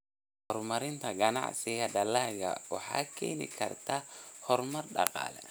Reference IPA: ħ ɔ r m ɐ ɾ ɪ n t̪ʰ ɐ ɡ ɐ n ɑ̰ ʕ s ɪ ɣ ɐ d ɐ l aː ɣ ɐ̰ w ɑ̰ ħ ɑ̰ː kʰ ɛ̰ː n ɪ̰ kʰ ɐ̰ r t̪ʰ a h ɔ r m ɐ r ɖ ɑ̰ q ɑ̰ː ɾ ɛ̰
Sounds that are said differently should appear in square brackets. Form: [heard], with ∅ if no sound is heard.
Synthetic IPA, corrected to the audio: [h] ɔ r m ɐ ɾ ɪ n t̪ʰ ɐ ɡ ɐ n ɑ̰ ʕ s ɪ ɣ ɐ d ɐ l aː ɣ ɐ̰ w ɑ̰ ħ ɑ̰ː kʰ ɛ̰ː n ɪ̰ kʰ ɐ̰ r t̪ʰ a h ɔ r m ɐ r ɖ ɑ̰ q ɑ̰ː [l] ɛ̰